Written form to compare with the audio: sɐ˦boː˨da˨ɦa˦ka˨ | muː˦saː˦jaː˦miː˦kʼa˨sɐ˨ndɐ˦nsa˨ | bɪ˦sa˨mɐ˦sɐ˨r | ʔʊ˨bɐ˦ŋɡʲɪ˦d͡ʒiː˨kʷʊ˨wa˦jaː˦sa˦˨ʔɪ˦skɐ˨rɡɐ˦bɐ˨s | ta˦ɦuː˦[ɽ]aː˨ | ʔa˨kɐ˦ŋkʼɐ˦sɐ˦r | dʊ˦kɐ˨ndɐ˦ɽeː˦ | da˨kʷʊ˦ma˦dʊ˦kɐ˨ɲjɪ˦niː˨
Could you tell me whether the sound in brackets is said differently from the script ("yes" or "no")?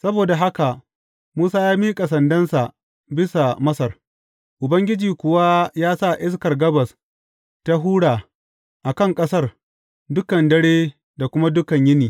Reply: no